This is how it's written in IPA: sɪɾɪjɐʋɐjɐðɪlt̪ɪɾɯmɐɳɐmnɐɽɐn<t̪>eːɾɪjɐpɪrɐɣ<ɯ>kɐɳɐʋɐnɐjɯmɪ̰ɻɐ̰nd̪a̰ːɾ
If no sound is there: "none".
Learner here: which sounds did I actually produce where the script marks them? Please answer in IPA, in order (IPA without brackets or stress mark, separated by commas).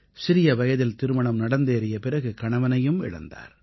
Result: d̪, ɯ